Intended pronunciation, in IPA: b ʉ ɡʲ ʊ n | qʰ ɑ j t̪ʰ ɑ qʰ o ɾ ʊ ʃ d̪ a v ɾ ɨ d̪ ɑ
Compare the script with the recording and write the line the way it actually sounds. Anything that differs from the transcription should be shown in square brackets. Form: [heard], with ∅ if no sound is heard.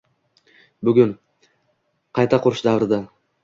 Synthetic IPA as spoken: b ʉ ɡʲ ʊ n | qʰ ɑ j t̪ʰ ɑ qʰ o ɾ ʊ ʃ d̪ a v ɾ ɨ d̪ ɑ